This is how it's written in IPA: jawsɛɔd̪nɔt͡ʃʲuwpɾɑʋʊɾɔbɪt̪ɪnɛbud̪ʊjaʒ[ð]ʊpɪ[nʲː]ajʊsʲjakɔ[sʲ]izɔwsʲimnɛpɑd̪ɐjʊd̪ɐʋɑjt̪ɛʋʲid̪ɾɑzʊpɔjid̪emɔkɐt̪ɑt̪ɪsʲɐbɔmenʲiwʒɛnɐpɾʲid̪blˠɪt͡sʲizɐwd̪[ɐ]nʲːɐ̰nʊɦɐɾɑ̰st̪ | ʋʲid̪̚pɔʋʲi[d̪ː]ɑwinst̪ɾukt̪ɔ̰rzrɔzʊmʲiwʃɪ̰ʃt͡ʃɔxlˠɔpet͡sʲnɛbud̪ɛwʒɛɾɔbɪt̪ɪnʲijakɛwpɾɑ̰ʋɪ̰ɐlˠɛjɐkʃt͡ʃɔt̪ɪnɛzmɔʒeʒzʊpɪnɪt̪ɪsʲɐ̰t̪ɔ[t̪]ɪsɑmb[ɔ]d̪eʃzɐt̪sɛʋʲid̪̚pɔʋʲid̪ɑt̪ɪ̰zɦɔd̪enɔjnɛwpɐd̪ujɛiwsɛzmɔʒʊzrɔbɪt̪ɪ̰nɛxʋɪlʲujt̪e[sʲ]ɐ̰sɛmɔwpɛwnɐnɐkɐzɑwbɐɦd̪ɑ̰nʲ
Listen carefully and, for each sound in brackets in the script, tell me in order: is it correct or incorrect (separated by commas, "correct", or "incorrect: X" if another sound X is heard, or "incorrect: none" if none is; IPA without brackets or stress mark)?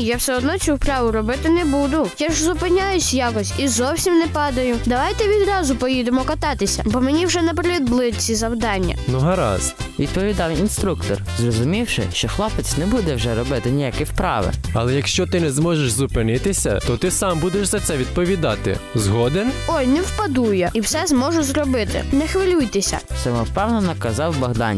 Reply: incorrect: z, incorrect: nʲ, correct, incorrect: ɑ, incorrect: d̪, correct, incorrect: u, correct